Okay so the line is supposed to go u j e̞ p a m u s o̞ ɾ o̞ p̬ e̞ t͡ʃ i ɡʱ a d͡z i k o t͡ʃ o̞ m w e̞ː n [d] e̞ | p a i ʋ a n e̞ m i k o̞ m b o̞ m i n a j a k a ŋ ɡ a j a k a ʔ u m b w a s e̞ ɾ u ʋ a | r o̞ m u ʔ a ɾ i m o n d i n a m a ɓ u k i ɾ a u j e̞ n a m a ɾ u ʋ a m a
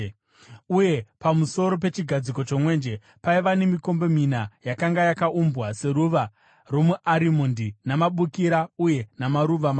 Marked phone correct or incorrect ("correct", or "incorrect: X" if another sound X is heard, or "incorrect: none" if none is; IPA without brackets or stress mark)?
incorrect: d͡ʒ